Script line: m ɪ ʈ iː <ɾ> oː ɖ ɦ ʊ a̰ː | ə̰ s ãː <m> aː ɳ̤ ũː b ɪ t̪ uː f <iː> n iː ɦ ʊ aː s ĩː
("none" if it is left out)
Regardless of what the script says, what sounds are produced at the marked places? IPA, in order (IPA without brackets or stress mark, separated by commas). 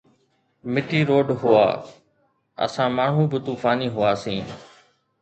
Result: ɾ, m, aː